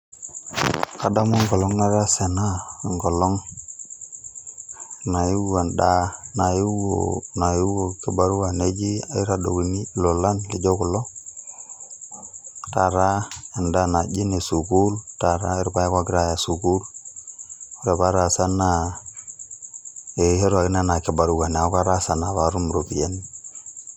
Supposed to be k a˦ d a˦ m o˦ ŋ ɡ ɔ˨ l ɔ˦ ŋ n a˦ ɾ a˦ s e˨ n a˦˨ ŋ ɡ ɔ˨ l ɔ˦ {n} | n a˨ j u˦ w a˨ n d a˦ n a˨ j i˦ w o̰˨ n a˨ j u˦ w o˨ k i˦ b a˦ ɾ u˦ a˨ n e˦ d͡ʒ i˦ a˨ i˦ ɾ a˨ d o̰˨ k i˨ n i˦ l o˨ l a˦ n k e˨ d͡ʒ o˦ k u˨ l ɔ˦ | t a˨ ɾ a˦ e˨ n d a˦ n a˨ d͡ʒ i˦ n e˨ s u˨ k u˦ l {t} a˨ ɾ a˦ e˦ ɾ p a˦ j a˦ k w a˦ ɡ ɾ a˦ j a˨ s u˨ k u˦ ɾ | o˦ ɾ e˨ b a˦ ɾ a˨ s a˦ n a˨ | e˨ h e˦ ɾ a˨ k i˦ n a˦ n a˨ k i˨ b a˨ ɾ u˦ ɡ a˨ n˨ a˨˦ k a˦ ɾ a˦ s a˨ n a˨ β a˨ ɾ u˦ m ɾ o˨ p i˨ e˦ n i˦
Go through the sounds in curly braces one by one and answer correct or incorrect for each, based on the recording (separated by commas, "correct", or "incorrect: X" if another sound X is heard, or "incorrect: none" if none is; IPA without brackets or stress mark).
incorrect: ŋ, correct